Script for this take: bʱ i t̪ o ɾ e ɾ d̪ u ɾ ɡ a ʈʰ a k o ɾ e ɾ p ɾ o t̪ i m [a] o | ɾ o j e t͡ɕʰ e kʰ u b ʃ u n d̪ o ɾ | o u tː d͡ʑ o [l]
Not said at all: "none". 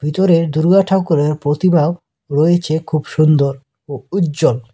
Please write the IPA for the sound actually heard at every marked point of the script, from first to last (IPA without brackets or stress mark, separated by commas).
a, l